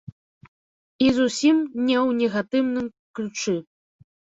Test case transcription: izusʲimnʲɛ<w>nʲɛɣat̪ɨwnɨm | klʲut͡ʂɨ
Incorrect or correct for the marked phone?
correct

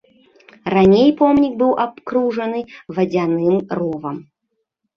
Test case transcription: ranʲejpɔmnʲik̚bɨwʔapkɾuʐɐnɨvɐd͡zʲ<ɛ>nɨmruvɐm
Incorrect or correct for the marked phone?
incorrect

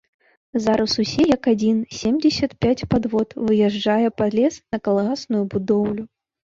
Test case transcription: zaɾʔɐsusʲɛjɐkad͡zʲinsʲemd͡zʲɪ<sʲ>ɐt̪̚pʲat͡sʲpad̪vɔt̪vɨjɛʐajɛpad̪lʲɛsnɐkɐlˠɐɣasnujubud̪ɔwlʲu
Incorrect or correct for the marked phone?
correct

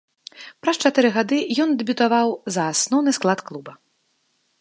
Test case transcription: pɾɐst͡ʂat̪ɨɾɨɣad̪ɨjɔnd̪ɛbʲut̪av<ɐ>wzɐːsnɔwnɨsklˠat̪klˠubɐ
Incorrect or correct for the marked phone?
incorrect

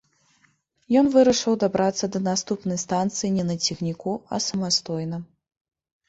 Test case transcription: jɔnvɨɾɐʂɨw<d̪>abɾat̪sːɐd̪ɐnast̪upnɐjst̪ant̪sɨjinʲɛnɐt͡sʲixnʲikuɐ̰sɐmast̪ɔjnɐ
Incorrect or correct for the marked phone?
correct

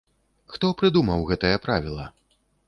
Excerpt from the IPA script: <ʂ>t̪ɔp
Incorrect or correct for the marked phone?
incorrect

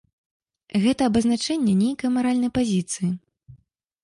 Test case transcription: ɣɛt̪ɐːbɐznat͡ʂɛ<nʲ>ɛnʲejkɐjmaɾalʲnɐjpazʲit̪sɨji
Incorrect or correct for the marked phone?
incorrect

